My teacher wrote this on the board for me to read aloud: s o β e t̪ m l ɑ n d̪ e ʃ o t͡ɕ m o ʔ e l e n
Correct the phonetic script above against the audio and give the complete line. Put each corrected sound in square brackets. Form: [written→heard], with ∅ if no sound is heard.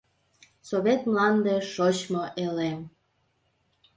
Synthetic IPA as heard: s o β e t̪ m l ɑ n d̪ e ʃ o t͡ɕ m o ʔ e l e [n→m]